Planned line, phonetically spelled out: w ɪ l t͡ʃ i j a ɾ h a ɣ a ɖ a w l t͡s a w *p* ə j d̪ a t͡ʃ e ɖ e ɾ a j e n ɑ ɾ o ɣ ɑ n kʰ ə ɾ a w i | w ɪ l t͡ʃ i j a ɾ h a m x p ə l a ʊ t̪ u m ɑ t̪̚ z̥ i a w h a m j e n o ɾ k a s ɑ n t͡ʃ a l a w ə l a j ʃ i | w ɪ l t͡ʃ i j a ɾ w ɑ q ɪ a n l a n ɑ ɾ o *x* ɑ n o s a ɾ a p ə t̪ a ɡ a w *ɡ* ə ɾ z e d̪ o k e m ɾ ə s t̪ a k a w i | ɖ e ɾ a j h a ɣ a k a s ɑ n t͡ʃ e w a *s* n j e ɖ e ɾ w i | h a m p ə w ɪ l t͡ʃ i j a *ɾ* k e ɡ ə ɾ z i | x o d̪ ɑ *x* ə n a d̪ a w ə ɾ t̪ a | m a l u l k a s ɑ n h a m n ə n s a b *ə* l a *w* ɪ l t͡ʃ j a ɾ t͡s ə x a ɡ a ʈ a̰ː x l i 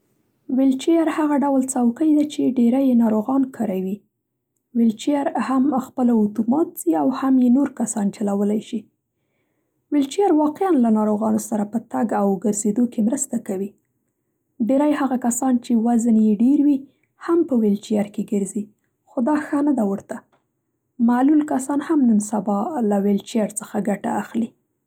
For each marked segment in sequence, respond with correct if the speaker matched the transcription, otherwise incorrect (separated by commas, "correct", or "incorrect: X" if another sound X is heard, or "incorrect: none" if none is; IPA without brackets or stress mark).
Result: incorrect: k, incorrect: ɣ, correct, incorrect: z, correct, correct, incorrect: ɑ, correct